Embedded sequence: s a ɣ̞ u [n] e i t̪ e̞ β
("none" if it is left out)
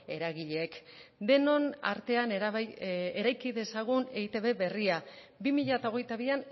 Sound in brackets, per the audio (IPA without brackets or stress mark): n